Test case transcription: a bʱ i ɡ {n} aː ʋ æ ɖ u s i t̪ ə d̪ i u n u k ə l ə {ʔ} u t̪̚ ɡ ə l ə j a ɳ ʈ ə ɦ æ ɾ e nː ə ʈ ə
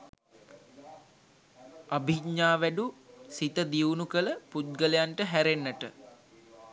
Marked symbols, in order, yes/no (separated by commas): no, no